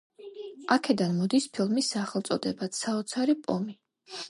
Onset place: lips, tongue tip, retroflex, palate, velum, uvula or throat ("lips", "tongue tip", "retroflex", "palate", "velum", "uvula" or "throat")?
velum